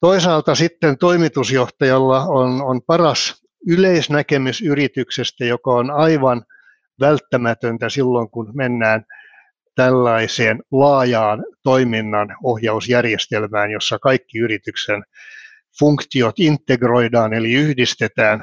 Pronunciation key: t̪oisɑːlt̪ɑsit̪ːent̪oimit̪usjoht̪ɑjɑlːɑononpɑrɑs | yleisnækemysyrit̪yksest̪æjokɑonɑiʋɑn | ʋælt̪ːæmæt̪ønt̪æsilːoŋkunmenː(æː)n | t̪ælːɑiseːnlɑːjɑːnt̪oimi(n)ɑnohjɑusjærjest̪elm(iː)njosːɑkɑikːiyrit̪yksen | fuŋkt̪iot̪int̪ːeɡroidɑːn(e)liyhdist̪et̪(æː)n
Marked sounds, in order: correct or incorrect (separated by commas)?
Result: correct, incorrect, incorrect, correct, correct